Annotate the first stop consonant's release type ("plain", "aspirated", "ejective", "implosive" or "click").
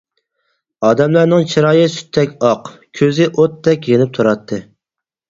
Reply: plain